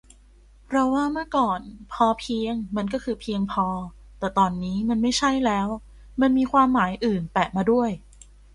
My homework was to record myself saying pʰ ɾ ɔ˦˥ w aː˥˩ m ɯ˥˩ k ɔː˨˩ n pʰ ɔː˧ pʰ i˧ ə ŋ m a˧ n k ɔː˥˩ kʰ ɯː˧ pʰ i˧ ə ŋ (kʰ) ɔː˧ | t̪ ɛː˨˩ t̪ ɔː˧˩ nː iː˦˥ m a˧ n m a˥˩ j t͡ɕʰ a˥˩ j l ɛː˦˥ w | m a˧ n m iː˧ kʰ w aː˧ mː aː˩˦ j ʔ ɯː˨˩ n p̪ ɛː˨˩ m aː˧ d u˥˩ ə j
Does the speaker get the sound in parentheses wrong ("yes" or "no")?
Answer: yes